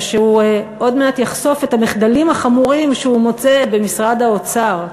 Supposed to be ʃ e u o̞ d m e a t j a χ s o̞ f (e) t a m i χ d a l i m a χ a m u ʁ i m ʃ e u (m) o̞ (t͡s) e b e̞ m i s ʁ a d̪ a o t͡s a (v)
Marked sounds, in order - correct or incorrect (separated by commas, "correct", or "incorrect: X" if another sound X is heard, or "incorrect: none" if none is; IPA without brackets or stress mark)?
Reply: correct, correct, correct, incorrect: ʁ